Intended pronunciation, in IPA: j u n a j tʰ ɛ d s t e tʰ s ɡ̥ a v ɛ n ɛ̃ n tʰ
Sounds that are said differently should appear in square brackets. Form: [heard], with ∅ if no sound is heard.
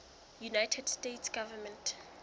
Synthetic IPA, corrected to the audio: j u n a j tʰ ɛ d s t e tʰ s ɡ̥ a v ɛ [m] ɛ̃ n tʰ